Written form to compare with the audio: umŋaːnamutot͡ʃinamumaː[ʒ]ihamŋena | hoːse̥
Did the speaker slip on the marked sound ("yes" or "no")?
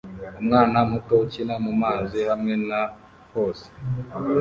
yes